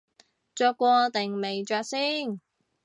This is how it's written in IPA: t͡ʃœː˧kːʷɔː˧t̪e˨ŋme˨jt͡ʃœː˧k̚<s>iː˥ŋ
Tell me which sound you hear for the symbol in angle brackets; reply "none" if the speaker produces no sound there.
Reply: s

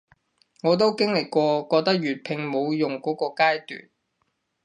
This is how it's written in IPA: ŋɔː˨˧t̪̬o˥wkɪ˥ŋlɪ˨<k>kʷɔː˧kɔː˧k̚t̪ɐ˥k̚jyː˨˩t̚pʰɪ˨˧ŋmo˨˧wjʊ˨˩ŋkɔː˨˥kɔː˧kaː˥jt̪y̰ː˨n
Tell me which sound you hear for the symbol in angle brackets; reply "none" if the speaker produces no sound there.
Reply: k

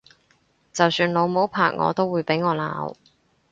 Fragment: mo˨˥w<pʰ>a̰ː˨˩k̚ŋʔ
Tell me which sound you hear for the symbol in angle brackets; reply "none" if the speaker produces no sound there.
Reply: pʰ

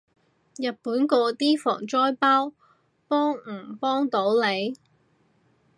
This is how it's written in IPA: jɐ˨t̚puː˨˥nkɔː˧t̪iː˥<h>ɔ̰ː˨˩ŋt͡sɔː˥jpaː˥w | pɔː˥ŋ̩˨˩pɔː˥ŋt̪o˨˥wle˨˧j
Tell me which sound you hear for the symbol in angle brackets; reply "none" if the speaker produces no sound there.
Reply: f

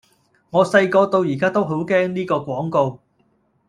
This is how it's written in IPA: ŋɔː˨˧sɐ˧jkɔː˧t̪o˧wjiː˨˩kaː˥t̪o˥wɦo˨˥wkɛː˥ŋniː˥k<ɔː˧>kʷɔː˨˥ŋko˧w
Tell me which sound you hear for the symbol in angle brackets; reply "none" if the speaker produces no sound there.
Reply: ɔː˧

